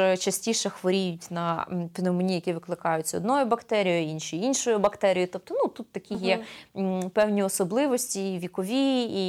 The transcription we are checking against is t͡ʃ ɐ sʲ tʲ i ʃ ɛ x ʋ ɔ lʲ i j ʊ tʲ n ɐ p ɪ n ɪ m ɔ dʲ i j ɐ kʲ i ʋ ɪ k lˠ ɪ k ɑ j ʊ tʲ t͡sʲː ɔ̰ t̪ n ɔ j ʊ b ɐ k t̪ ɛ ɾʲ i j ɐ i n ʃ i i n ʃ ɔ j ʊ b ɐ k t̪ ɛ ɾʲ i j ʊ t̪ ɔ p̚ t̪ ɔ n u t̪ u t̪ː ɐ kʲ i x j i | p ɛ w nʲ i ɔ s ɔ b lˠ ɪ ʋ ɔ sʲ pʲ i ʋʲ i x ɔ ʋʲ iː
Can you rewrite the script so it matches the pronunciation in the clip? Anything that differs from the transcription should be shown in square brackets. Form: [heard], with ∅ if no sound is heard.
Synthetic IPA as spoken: t͡ʃ ɐ sʲ tʲ i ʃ ɛ x ʋ ɔ [ɾʲ] i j ʊ tʲ n ɐ p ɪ n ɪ m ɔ [nʲ] i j ɐ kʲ i ʋ ɪ k lˠ ɪ k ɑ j ʊ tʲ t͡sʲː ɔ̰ [d̪] n ɔ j ʊ b ɐ k t̪ ɛ ɾʲ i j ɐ i n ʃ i i n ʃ ɔ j ʊ b ɐ k t̪ ɛ ɾʲ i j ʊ t̪ ɔ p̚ t̪ ɔ n u t̪ u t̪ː ɐ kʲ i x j [ɛ] | p ɛ w nʲ i ɔ s ɔ b lˠ ɪ ʋ ɔ sʲ [tʲ] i ʋʲ i [k] ɔ ʋʲ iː